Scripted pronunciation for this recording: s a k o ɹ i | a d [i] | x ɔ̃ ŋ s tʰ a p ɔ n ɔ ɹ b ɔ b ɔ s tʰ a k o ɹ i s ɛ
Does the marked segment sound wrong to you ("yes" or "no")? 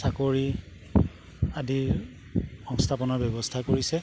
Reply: no